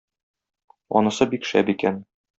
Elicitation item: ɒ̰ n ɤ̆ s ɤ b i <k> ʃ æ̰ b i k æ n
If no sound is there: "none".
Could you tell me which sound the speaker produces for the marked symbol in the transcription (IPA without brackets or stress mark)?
k